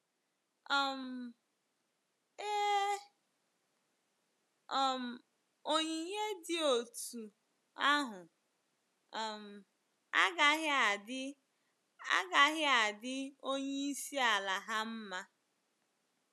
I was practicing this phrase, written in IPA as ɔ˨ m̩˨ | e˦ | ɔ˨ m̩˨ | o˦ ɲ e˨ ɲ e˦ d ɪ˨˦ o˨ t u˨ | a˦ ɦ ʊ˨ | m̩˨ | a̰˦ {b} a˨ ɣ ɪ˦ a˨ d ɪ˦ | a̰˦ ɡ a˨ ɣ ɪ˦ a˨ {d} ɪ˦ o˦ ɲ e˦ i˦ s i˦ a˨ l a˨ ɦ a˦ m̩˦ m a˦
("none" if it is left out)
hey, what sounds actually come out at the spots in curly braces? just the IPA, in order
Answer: ɡ, d

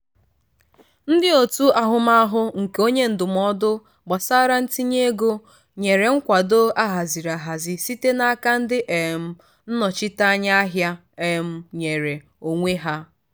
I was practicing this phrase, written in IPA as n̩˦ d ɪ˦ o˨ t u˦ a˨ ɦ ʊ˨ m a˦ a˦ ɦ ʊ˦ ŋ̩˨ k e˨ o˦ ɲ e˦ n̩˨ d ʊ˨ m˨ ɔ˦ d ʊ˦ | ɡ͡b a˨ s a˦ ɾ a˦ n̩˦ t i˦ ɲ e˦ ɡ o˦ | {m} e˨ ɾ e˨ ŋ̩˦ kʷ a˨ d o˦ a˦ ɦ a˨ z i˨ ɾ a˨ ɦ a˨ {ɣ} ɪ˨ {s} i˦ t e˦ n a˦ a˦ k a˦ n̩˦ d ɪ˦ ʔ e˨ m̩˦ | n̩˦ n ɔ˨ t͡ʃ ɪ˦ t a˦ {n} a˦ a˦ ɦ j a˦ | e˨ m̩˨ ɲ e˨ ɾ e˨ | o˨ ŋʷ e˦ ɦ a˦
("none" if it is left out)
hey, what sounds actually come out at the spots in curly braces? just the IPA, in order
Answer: ɲ, z, s, ɲ

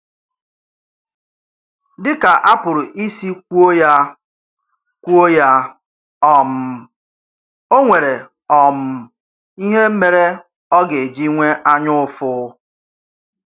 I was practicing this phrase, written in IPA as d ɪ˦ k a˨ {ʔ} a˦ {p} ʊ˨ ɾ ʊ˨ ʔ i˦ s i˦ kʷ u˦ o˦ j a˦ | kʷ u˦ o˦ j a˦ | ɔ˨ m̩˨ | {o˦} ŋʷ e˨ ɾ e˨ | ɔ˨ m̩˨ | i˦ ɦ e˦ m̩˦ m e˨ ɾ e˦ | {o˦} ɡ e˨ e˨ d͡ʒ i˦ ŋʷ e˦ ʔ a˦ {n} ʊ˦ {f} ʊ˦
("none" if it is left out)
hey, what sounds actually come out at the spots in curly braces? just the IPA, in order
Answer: ʔ, p, o˦, ɔ˦, ɲ, f

